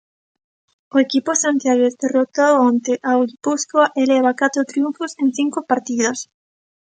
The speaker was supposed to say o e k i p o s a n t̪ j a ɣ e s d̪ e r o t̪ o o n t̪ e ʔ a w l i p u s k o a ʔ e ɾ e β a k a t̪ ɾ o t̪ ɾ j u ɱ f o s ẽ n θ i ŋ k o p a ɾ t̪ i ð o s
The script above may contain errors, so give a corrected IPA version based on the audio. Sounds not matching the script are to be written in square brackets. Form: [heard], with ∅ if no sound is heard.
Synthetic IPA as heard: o e k i p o s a n t̪ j a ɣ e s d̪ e r o t̪ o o n t̪ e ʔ a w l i p u s k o a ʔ e [l] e β a k a t̪ ɾ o t̪ ɾ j u ɱ f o s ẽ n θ i ŋ k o p a ɾ t̪ i ð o s